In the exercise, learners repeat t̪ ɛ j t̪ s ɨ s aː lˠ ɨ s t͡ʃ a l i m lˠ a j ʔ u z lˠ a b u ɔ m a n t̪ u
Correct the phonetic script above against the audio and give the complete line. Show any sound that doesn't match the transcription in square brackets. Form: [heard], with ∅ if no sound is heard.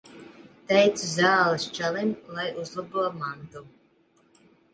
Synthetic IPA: t̪ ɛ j t̪ s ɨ [z] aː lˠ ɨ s t͡ʃ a l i m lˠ a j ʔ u z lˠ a b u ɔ m a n t̪ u